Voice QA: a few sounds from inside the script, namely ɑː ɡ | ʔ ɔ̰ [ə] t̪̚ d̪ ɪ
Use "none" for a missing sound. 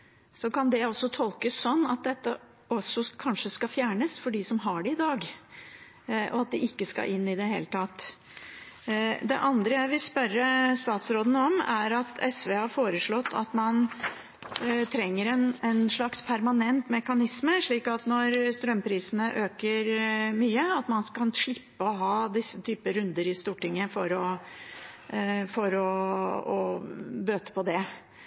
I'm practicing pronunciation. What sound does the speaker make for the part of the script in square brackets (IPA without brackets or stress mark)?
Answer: ɑ